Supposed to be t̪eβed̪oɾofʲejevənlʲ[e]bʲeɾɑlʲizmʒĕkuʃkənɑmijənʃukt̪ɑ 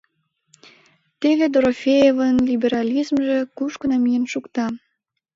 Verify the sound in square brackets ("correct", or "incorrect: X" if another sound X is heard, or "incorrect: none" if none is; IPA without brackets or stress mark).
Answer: incorrect: i